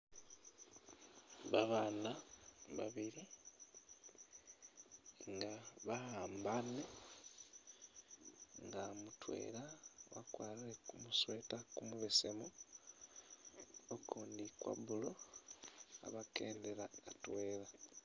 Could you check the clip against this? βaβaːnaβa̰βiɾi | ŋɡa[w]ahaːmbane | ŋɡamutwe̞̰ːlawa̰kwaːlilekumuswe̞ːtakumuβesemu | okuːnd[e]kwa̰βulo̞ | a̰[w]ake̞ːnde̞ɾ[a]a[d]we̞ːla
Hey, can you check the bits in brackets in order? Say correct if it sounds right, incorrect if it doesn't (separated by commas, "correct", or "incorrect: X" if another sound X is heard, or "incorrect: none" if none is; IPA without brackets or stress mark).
incorrect: β, incorrect: i, incorrect: β, correct, incorrect: t